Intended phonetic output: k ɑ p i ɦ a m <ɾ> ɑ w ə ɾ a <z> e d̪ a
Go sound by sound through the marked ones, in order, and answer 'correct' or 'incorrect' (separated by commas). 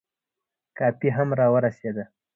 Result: correct, incorrect